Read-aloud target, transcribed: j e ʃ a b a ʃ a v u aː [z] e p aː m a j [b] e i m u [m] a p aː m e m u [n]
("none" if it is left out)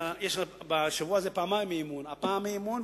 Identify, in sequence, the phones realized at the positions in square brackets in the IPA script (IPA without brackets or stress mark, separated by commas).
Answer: z, m, n, n